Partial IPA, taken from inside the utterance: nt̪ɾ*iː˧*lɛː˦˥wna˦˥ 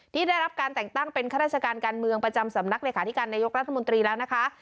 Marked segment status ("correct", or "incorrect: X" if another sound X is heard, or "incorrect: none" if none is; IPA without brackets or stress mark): correct